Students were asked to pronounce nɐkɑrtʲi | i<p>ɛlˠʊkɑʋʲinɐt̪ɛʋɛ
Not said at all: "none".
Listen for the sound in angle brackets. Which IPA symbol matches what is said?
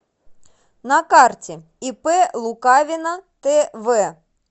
p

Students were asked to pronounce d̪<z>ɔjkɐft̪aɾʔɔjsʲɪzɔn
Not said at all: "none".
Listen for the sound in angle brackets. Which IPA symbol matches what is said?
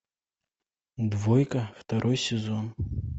v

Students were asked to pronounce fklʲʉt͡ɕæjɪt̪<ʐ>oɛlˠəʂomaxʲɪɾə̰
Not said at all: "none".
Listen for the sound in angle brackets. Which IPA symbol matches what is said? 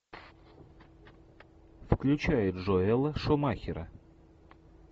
ʐ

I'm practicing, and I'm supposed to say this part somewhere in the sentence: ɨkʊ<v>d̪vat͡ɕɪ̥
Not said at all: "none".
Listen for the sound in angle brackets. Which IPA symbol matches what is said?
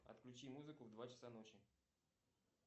v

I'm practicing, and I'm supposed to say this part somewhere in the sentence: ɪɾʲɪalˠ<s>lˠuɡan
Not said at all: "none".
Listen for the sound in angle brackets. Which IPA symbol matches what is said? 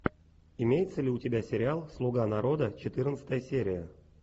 s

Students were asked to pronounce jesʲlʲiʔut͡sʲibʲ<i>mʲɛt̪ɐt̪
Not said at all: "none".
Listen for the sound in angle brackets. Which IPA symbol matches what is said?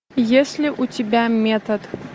a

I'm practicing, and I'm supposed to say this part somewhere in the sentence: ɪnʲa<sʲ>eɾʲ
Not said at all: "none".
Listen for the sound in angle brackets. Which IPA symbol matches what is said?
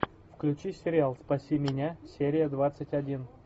sʲ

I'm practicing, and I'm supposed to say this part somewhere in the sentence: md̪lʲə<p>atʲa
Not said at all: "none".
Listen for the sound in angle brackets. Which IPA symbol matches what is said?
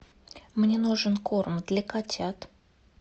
k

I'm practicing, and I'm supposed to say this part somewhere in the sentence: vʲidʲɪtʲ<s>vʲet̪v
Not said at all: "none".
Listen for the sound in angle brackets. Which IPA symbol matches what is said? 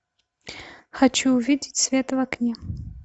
s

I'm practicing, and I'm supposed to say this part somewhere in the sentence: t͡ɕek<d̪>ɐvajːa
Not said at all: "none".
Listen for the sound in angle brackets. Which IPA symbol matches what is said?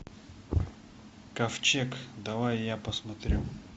d̪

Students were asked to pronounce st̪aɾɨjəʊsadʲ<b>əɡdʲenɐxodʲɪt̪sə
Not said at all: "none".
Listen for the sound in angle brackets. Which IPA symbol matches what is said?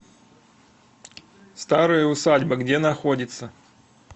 b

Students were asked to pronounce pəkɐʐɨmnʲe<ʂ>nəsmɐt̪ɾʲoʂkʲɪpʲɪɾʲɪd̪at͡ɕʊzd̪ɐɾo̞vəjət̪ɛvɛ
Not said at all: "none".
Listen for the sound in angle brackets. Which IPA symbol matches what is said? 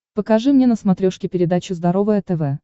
none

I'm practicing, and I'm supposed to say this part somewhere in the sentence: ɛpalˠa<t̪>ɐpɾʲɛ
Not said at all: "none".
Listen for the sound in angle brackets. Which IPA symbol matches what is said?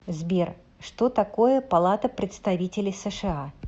t̪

